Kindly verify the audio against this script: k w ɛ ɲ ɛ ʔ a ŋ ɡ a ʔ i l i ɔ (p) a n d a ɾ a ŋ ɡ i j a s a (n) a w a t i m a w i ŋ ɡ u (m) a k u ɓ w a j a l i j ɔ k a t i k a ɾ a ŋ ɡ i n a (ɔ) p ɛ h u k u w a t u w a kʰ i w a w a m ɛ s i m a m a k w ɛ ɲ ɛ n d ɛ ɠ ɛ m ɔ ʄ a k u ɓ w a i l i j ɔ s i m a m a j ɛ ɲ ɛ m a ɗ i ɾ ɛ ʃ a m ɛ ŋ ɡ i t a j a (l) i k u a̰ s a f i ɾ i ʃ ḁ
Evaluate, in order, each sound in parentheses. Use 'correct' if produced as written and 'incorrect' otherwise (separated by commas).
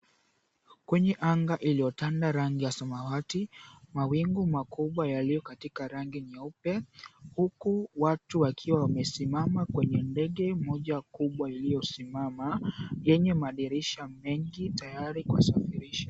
incorrect, incorrect, correct, incorrect, incorrect